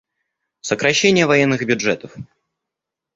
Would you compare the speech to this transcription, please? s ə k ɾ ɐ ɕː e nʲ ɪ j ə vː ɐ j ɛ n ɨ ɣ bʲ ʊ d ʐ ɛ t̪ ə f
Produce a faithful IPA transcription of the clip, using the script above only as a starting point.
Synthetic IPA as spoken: s ə k ɾ ɐ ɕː e nʲ ɪ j ə v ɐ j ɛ nː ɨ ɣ bʲ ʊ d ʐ ɛ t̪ ə f